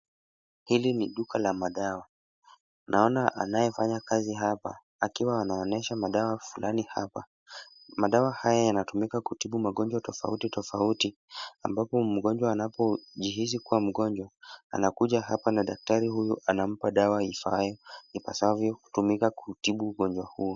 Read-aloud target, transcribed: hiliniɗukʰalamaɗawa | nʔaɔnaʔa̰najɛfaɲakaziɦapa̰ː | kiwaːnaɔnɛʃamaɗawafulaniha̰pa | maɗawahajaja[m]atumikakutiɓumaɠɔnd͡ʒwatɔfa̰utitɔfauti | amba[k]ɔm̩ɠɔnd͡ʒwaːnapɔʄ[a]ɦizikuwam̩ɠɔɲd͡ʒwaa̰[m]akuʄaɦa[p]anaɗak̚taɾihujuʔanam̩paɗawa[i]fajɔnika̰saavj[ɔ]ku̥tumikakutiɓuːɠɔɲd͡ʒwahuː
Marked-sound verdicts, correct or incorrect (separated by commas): incorrect, incorrect, incorrect, incorrect, correct, correct, correct